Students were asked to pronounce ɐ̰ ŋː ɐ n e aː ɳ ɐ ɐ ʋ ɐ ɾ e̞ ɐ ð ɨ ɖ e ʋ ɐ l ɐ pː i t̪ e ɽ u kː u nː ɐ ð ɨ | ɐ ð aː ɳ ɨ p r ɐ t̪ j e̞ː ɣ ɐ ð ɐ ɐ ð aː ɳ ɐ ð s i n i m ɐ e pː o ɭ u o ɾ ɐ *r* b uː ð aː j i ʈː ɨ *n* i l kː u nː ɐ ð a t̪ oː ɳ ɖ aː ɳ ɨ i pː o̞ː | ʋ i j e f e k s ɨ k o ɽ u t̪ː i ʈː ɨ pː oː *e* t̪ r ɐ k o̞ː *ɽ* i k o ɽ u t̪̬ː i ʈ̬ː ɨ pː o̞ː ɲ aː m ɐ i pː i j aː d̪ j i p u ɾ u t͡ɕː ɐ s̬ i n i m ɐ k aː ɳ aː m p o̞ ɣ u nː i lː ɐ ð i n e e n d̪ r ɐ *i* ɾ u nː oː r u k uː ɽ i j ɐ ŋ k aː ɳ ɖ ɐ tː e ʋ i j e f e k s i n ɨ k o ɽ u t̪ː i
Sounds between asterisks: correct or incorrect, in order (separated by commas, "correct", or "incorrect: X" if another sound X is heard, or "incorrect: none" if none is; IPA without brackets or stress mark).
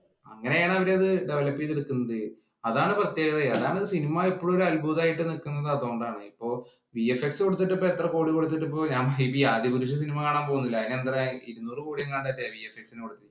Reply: incorrect: l, correct, correct, correct, correct